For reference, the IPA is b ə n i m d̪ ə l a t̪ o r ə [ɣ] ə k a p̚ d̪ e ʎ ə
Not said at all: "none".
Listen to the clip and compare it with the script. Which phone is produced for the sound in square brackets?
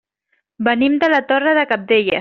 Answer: ð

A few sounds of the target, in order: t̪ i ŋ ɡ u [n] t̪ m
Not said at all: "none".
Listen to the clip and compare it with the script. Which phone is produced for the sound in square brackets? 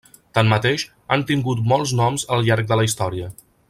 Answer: none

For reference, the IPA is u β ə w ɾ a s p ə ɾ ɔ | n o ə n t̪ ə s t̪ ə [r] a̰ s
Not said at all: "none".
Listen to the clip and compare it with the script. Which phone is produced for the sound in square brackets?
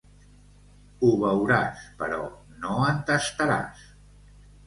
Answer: ɾ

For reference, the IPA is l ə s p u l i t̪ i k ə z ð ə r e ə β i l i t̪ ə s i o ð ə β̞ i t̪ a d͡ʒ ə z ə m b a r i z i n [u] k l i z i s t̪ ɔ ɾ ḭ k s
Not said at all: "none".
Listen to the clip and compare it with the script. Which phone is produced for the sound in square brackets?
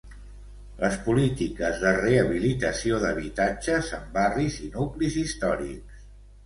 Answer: u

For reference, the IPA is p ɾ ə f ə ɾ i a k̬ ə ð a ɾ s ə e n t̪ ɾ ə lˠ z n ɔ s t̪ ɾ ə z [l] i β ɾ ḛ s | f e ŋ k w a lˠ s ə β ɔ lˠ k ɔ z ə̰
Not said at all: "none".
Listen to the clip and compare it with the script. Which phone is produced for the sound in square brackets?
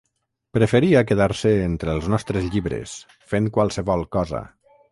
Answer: ʎ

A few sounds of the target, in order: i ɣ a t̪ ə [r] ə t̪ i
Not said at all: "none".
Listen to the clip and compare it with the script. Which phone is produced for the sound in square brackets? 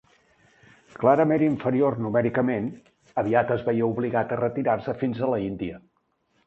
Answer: r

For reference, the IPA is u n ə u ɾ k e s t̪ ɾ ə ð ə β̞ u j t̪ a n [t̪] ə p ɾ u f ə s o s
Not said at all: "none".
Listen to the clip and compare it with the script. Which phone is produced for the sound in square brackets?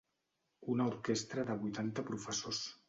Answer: t̪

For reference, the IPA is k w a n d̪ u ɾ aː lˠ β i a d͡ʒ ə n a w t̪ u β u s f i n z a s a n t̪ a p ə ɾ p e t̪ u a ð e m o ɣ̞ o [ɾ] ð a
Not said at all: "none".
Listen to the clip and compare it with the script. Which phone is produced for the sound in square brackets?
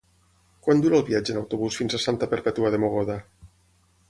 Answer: none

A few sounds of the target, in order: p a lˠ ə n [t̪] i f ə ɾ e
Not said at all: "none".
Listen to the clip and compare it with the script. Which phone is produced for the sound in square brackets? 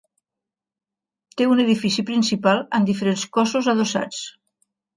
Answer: d̪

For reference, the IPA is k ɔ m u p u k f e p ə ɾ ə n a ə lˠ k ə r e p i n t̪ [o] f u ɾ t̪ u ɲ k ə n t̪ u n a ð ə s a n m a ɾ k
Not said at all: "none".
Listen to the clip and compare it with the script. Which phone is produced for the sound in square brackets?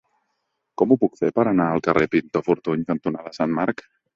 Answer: o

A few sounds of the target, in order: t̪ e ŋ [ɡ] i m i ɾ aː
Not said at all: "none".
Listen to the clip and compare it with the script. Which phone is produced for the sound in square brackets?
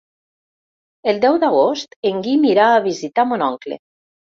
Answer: ɡ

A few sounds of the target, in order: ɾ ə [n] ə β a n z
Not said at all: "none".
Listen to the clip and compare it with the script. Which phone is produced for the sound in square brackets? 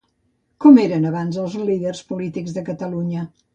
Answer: n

